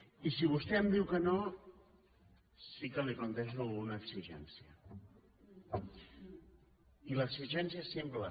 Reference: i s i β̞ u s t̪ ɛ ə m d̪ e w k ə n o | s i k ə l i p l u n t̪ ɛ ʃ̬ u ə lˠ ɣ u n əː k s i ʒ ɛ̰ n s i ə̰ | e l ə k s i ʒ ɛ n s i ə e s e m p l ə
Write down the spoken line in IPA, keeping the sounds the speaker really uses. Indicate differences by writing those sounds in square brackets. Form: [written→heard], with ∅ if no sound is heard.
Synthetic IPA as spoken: i s i β̞ u s t̪ ɛ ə m d̪ [e→i] w k ə n o | s i k ə l i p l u n t̪ ɛ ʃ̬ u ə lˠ ɣ u n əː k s i ʒ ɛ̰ n s i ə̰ | [e→i] l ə k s i ʒ ɛ n s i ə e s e m p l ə